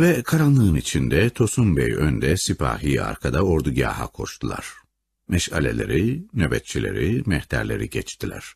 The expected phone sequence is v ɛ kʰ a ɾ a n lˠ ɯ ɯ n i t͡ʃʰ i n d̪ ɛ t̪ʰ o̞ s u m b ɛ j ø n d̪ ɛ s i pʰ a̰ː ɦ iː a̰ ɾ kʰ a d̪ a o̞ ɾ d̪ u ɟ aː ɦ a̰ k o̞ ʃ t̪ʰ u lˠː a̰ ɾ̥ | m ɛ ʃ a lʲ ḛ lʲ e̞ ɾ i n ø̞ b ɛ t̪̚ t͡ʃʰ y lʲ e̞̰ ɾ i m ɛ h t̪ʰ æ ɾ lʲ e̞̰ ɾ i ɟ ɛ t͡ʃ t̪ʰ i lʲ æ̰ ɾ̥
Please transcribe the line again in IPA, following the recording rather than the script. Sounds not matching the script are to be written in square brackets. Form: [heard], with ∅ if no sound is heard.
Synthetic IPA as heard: v ɛ kʰ a ɾ a n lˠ ɯ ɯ n i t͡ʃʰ i n d̪ ɛ t̪ʰ o̞ s u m b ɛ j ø n d̪ ɛ s i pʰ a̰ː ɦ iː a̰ ɾ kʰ a d̪ a o̞ ɾ d̪ u ɟ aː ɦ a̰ [kʰ] o̞ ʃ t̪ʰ u [lˠ] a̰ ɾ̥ | m ɛ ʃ a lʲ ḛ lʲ e̞ ɾ i n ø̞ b ɛ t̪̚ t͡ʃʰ [i] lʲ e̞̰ ɾ i m ɛ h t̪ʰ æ ɾ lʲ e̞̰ ɾ i ɟ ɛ t͡ʃ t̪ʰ i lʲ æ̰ ɾ̥